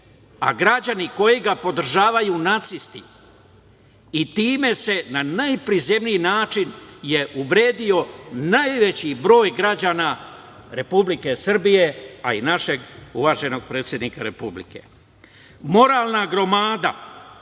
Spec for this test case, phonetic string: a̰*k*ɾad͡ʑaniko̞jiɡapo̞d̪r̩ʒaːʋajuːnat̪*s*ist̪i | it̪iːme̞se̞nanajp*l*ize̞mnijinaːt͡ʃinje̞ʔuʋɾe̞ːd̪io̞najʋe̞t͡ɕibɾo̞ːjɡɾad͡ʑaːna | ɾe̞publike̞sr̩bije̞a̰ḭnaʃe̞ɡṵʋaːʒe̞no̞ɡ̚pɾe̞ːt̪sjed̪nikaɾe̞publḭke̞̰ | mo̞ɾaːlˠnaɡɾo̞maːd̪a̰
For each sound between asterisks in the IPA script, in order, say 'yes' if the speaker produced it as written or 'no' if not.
no, yes, no

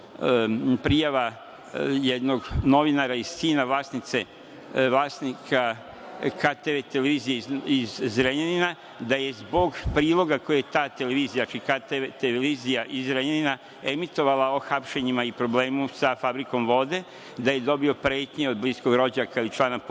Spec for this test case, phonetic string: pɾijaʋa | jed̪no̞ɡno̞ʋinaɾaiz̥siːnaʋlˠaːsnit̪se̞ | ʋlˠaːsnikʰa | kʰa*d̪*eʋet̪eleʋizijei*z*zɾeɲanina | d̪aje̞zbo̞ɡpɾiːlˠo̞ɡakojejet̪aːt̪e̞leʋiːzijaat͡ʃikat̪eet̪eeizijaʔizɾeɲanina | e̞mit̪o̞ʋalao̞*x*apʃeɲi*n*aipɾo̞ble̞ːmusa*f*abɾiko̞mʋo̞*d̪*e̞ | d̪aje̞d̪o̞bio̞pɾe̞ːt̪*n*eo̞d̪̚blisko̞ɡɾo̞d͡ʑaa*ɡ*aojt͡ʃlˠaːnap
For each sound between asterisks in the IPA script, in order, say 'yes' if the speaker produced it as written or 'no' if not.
no, yes, yes, no, yes, yes, no, no

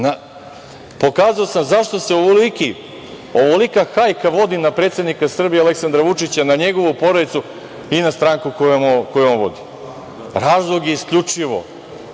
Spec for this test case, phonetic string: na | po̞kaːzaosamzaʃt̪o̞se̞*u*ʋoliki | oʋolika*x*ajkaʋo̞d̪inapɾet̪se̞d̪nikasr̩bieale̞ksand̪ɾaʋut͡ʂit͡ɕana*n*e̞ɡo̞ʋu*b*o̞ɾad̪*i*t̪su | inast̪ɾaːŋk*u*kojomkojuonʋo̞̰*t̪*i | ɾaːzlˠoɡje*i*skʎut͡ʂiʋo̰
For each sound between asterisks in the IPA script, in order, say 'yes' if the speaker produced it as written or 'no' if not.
no, yes, no, no, yes, yes, no, yes

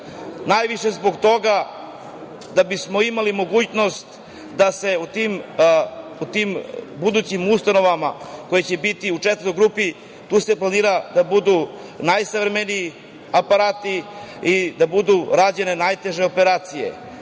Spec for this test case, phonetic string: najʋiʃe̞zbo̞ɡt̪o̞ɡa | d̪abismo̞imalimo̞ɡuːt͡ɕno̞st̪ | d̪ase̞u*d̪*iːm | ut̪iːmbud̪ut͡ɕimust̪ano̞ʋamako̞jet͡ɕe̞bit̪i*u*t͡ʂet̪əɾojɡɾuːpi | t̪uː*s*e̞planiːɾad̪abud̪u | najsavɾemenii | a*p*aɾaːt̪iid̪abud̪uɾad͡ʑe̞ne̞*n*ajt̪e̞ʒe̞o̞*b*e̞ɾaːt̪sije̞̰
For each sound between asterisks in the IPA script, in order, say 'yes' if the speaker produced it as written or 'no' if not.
no, yes, yes, yes, yes, no

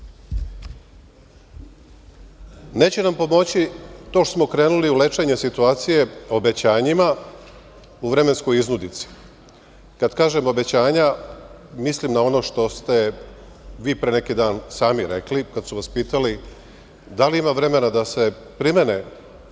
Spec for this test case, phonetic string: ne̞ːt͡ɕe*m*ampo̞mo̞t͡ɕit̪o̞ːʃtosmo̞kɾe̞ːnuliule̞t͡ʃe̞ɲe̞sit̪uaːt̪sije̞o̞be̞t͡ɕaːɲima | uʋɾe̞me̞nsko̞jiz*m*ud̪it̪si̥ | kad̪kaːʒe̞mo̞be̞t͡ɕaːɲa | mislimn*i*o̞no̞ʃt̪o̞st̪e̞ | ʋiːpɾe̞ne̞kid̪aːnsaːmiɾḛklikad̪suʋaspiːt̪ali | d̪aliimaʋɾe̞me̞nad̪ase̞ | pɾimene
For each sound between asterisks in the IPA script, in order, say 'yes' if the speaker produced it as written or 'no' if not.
no, no, no

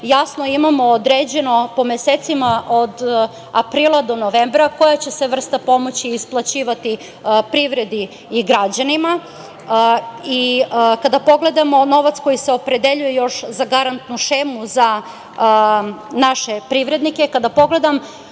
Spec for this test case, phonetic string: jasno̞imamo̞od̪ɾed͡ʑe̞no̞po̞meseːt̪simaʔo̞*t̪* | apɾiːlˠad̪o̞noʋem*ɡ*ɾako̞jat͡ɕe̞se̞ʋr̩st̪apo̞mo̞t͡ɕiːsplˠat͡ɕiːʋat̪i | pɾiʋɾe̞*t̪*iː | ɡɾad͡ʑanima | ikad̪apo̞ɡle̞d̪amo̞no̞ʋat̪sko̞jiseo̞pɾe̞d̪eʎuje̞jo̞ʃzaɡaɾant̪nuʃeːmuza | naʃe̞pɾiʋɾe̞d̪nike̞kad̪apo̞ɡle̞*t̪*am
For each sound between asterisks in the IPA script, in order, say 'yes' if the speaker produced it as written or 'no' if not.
no, no, no, no

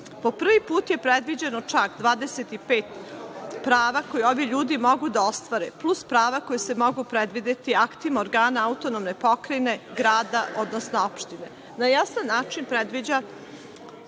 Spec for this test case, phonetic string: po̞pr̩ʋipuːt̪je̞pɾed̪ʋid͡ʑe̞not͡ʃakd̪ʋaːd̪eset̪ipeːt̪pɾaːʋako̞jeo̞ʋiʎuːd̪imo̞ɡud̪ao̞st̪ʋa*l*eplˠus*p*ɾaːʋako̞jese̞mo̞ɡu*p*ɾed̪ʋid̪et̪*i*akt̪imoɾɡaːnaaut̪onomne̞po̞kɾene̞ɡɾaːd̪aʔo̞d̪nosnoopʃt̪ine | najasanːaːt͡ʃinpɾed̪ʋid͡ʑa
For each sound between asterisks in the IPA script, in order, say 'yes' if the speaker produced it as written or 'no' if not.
no, yes, yes, yes

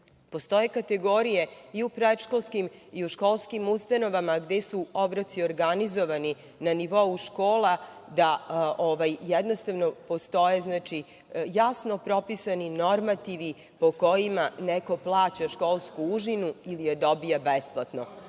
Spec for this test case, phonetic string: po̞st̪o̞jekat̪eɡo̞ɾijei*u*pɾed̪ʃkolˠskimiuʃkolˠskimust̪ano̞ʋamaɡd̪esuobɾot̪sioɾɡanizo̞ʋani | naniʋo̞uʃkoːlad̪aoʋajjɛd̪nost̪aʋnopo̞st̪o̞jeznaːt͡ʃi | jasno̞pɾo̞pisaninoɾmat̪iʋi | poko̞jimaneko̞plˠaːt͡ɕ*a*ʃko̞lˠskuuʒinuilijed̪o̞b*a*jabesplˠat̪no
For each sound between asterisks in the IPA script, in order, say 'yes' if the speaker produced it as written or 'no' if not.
yes, yes, no

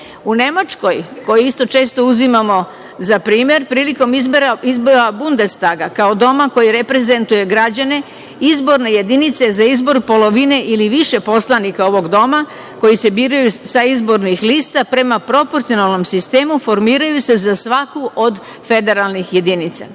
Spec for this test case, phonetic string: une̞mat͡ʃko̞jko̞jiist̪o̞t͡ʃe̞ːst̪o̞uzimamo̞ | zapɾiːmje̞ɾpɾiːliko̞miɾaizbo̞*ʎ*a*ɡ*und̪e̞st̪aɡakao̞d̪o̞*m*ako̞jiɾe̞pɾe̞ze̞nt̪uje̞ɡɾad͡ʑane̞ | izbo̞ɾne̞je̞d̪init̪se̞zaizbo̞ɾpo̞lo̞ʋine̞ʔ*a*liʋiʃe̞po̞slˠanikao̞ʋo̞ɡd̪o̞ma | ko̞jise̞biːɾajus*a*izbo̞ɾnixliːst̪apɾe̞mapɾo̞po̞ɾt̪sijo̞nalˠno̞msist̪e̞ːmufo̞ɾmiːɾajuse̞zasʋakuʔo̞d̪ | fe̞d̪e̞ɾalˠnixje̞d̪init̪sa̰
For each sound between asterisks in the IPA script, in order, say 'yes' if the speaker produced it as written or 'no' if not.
no, no, yes, no, yes

